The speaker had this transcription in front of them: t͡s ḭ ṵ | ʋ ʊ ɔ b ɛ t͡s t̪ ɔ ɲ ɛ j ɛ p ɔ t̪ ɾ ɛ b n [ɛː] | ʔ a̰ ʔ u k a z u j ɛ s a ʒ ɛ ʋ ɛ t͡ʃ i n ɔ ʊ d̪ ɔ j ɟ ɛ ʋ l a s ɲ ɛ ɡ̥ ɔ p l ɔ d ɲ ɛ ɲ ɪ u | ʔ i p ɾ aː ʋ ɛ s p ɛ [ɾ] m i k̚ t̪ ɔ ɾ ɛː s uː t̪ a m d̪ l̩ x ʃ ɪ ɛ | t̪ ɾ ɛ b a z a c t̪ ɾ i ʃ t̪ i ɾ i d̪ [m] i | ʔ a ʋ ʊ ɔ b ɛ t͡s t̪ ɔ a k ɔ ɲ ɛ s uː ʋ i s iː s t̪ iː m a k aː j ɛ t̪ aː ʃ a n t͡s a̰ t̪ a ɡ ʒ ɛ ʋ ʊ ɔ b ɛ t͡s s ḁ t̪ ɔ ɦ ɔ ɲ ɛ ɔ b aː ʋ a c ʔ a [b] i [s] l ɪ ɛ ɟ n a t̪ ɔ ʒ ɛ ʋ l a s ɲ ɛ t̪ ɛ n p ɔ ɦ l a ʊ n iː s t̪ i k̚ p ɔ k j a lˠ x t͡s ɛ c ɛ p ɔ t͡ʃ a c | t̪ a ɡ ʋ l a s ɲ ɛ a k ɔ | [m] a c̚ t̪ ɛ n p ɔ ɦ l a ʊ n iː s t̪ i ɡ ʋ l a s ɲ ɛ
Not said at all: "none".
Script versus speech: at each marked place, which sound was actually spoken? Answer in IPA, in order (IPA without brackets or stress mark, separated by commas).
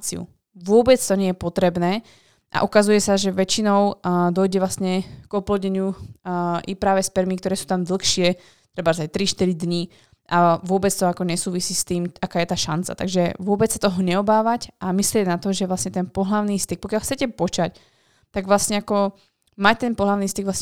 ɛː, ɾ, ɲ, m, s, m